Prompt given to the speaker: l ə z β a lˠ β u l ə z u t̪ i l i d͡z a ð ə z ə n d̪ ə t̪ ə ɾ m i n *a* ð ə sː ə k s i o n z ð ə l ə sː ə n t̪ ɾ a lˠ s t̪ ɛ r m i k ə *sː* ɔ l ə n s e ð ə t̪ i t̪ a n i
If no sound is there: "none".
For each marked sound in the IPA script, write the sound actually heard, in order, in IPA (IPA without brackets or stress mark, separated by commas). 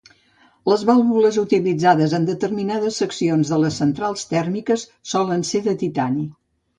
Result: a, sː